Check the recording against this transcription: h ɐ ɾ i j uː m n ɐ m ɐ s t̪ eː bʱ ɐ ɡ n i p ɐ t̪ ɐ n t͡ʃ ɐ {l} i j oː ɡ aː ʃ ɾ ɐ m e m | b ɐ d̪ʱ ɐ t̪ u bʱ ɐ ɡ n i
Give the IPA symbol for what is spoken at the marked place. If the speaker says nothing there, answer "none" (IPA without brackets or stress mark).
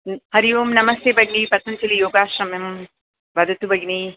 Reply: l